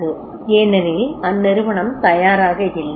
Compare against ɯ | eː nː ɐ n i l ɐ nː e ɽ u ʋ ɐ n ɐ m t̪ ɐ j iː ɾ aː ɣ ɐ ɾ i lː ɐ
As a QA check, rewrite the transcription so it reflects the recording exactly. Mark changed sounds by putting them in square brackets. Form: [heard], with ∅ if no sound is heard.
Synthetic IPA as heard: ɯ | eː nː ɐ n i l ɐ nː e [ɾ] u ʋ ɐ [ɳ] ɐ m t̪ ɐ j [aː] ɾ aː ɣ ɐ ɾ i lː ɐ